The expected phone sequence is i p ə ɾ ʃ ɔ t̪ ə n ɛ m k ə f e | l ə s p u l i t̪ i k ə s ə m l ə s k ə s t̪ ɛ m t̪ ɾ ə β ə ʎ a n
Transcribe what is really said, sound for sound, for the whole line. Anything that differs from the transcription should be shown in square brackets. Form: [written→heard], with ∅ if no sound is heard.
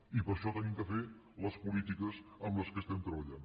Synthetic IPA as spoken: i p ə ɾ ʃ ɔ t̪ ə n [ɛ→i] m k ə f e | l ə s p u l i t̪ i k ə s ə m l ə s k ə s t̪ ɛ m t̪ ɾ ə β ə ʎ a n